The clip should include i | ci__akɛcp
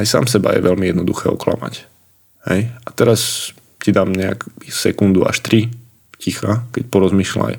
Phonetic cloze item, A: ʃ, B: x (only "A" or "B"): B